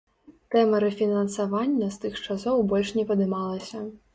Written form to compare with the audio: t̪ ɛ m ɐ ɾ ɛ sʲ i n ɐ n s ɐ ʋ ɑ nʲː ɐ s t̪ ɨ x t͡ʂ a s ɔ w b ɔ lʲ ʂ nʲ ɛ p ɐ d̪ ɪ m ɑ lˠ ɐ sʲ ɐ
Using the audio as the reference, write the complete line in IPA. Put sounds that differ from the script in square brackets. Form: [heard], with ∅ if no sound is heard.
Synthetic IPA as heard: t̪ ɛ m ɐ ɾ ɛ [fʲ] i n ɐ n s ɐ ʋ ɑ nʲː ɐ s t̪ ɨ x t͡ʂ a s ɔ w b ɔ lʲ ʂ nʲ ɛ p ɐ d̪ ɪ m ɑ lˠ ɐ sʲ ɐ